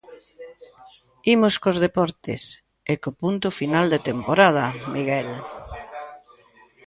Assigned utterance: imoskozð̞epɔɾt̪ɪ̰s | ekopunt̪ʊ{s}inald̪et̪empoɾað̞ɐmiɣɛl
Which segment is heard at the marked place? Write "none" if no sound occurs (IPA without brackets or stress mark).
f